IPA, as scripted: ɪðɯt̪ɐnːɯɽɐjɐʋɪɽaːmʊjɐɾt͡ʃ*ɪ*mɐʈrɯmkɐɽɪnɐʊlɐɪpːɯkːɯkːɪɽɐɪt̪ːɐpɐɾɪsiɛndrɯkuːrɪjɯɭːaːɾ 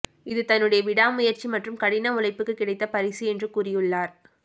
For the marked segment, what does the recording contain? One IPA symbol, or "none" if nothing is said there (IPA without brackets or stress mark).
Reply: i